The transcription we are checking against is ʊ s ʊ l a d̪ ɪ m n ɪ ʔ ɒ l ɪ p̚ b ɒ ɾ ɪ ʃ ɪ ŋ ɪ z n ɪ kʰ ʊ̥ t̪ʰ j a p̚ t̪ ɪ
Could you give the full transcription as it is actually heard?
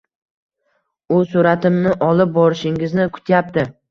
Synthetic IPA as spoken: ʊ s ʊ ɾ a t̪ ɪ m n ɪ ʔ ɒ l ɪ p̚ b ɒ ɾ ɪ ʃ ɪ ŋ ɪ z n ɪ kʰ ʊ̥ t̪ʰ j a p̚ t̪ ɪ